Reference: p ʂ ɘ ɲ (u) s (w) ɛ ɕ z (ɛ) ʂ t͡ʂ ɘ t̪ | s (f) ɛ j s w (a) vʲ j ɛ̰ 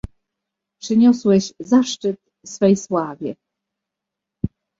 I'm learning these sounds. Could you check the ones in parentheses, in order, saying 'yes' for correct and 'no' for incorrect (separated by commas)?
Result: no, yes, no, yes, yes